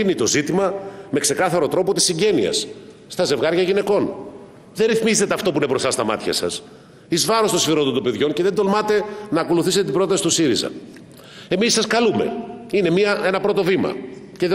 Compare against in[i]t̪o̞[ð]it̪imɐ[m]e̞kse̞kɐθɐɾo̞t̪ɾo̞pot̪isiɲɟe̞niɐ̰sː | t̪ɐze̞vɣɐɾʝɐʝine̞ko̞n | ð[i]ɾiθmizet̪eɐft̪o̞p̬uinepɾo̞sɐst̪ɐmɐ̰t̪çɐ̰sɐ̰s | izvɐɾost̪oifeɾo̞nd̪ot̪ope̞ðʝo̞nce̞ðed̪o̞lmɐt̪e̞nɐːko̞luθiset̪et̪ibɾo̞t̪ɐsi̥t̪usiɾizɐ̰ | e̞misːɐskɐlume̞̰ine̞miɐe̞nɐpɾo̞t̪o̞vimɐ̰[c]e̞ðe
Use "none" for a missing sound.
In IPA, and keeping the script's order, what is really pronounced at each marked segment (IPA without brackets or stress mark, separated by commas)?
i, z, m, e, c